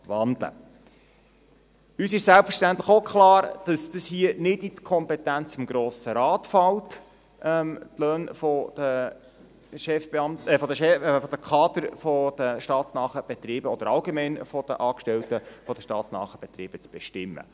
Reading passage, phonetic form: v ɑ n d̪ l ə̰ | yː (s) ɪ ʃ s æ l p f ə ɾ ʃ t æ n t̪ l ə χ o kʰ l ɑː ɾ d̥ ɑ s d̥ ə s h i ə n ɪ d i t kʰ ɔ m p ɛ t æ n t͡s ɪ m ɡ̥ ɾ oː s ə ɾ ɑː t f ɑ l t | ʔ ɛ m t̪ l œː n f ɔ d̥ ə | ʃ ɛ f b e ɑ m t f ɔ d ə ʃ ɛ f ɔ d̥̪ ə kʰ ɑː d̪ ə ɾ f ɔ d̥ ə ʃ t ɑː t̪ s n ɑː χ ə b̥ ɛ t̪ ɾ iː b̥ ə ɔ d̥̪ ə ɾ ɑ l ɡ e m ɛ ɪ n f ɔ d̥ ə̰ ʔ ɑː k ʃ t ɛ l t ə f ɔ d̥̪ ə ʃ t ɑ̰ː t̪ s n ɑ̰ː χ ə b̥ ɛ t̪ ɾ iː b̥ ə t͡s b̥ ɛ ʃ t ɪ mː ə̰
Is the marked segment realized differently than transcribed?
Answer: no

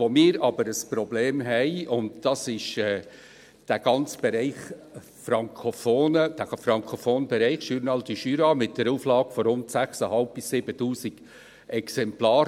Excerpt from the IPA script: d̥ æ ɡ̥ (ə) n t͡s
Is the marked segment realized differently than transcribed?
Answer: yes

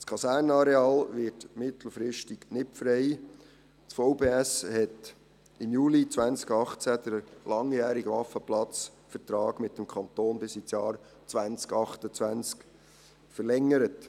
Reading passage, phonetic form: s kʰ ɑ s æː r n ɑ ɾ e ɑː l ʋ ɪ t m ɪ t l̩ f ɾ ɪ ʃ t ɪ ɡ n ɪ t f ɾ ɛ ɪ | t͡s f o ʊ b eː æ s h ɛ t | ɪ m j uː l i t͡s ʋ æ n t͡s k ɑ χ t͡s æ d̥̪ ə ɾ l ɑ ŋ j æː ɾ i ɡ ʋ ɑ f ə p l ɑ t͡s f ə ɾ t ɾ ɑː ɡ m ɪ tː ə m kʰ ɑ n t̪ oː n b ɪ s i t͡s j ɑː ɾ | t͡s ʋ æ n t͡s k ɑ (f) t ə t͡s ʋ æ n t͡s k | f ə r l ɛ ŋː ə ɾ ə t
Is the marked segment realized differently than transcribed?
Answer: yes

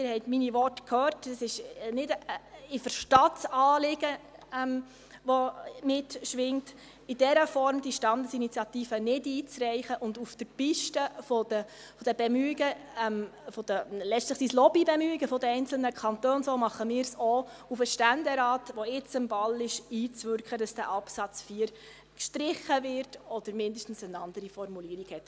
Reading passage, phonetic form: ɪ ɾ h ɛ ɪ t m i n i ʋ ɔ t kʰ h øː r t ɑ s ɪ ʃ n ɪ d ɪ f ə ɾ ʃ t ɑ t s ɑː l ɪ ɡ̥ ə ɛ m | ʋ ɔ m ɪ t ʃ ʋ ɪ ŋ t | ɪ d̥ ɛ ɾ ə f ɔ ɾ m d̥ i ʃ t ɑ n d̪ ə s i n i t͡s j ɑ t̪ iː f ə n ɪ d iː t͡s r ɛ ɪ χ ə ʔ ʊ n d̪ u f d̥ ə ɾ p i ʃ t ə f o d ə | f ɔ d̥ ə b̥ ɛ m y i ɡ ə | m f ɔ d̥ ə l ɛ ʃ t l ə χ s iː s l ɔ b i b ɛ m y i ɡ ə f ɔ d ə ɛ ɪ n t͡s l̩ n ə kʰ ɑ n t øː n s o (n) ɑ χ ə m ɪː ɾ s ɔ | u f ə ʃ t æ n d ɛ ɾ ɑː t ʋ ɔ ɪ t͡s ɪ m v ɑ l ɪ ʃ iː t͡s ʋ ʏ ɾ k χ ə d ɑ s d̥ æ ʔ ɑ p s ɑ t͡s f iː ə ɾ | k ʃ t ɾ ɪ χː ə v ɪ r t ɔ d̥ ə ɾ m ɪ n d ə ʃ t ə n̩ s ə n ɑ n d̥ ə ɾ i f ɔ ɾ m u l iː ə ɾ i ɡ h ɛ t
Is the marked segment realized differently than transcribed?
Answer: yes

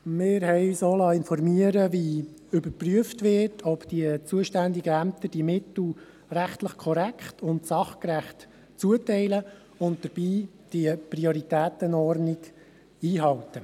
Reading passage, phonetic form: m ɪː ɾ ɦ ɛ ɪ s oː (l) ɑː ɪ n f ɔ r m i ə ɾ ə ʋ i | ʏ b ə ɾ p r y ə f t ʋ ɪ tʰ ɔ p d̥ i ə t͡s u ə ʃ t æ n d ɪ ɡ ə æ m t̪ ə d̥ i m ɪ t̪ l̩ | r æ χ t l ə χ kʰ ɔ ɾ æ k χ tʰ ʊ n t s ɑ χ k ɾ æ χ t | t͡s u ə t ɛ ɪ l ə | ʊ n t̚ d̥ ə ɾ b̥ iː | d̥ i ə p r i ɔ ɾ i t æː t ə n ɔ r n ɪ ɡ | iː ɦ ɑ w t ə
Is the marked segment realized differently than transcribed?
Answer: no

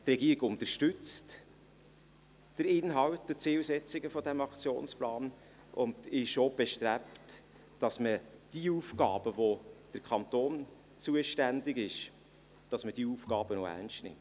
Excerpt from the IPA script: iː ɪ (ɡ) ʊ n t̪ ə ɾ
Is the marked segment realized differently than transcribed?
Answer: no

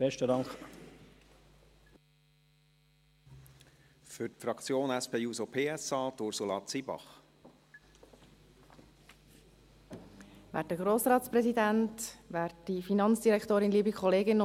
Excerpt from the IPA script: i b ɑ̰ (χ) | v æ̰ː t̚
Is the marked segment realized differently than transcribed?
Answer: no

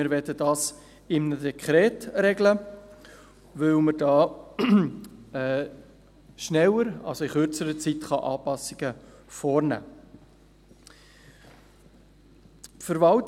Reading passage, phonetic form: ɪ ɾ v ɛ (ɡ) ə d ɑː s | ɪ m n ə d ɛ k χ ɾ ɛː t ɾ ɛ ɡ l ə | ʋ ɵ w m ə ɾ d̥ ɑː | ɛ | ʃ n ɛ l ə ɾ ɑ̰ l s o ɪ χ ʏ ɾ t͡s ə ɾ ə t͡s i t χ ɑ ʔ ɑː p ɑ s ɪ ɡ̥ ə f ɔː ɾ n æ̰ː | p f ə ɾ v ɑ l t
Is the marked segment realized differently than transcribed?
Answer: yes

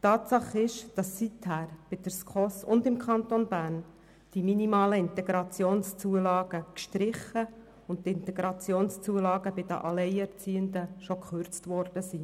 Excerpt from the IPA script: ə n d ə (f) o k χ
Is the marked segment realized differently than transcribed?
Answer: yes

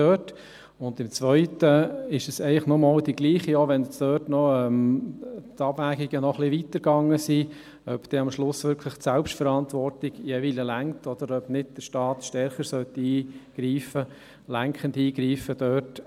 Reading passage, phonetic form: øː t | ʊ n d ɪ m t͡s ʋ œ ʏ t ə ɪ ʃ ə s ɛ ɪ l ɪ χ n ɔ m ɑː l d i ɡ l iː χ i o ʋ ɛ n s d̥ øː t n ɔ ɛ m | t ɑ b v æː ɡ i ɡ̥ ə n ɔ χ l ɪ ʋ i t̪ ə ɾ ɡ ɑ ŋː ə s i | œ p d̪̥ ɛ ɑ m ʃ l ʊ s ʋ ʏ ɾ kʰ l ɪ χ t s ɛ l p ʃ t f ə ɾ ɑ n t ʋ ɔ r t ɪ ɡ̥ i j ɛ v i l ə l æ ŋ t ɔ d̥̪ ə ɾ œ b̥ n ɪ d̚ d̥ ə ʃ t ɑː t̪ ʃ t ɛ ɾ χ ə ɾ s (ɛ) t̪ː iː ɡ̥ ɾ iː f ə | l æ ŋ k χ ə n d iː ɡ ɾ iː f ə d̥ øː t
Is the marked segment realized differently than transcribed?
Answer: yes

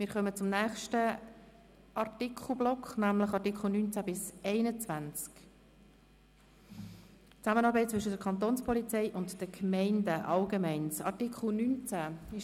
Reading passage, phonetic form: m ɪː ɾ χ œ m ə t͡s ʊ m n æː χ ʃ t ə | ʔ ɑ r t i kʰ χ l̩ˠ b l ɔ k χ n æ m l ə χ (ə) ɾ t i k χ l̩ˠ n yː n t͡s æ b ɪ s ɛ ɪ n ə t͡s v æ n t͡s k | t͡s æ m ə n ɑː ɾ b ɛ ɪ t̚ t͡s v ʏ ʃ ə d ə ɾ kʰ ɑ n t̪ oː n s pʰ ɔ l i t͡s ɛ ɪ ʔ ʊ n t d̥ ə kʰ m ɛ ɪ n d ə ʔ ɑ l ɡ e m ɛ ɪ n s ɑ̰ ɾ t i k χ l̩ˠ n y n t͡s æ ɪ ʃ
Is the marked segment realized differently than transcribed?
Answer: yes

